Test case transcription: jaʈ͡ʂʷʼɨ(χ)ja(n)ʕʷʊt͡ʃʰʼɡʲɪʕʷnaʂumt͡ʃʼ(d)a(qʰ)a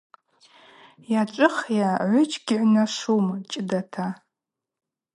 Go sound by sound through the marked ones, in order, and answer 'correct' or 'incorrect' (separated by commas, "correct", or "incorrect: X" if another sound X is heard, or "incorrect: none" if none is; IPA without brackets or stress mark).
correct, incorrect: none, correct, incorrect: tʰ